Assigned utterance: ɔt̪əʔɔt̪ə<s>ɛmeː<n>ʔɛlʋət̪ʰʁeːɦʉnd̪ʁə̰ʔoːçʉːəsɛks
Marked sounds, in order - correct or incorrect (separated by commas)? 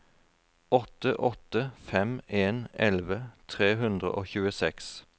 incorrect, correct